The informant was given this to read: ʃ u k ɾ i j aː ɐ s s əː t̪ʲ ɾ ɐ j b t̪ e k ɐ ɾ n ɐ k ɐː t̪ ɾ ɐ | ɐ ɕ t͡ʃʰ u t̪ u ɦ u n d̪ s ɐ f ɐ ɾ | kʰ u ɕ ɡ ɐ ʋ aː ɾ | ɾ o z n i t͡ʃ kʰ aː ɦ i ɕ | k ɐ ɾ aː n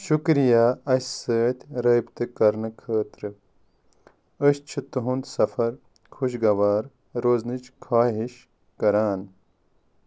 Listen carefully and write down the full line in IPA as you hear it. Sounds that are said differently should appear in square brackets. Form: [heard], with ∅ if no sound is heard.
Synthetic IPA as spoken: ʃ u k ɾ i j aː ɐ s s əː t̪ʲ ɾ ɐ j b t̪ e k ɐ ɾ n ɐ [kʰ] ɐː t̪ ɾ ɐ | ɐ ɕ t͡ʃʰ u t̪ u ɦ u n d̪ s ɐ f ɐ ɾ | kʰ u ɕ ɡ ɐ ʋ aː ɾ | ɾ o z n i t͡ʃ kʰ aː ɦ i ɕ | k ɐ ɾ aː n